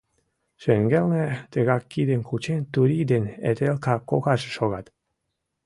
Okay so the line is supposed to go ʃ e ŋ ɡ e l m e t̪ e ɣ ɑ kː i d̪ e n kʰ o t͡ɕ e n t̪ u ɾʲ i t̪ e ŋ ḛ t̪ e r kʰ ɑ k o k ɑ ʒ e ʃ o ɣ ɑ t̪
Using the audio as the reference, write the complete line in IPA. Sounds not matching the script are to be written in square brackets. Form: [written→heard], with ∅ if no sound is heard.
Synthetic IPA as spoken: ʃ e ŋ ɡ e l [m→n] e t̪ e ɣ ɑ kː i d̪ e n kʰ [o→u] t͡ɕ e n t̪ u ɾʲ i [t̪→d̪] e [ŋ→n] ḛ t̪ e [r→l] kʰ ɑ k o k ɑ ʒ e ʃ o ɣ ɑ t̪